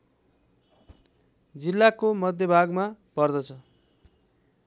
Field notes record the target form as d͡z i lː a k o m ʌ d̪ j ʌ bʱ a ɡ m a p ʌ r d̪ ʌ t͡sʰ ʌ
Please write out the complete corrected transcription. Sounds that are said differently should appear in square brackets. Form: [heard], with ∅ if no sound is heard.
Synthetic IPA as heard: d͡z i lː a k o m ʌ d̪ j ʌ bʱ a ɡ m a p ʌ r d̪ ʌ t͡sʰ ʌ